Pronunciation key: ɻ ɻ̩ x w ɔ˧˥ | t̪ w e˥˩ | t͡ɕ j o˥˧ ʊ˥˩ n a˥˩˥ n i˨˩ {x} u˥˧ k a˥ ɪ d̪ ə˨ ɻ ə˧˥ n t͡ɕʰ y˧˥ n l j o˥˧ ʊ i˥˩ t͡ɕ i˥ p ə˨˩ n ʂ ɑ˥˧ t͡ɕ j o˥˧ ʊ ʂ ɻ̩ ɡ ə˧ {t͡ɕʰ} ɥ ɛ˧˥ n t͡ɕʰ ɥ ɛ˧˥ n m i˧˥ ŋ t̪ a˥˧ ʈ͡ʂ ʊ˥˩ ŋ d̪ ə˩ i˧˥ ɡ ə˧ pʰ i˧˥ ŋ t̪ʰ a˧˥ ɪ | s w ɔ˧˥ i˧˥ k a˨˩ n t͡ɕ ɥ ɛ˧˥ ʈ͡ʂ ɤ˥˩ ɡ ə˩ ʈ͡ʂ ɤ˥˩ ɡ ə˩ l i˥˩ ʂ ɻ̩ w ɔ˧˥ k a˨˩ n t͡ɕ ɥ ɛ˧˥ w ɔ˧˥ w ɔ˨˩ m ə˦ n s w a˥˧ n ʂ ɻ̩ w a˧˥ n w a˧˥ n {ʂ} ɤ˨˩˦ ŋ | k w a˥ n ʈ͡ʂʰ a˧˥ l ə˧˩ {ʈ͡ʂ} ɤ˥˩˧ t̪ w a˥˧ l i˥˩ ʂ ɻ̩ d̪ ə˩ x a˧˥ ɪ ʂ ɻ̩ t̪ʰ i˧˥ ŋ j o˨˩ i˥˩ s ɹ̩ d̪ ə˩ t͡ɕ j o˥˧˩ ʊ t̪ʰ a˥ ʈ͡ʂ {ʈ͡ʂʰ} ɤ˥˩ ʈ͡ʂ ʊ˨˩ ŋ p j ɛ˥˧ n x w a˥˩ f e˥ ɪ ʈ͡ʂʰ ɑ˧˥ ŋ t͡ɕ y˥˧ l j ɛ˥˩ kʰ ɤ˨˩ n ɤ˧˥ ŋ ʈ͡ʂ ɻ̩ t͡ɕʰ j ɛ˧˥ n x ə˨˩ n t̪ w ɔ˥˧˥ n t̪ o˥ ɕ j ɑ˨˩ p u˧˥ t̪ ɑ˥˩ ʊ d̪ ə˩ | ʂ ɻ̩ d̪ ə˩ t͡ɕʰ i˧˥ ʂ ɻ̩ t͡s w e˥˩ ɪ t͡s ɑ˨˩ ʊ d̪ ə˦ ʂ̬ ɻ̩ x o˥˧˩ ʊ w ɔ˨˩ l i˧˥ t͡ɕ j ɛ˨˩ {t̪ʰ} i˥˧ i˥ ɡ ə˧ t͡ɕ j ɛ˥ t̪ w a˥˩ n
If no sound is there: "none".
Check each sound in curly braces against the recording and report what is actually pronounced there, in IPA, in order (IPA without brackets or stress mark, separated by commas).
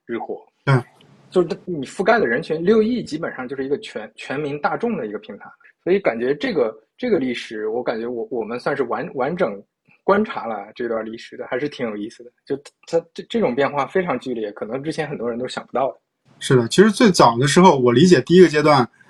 f, t͡ɕʰ, ʈ͡ʂ, ʈ͡ʂ, ʈ͡ʂ, t̪